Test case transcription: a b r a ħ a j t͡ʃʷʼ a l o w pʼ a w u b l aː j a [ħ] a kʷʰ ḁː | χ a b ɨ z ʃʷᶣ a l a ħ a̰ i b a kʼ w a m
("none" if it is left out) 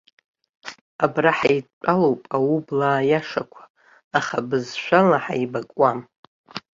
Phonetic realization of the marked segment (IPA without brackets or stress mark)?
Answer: ʂ